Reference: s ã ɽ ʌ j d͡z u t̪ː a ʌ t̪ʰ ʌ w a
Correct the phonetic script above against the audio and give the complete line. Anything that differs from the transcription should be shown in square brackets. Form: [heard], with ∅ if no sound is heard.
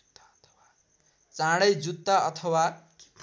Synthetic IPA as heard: [t͡s] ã ɽ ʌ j d͡z u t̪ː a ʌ t̪ʰ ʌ w a